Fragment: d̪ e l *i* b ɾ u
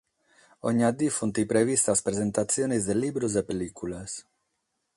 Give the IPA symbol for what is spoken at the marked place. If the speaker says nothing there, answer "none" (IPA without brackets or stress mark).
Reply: i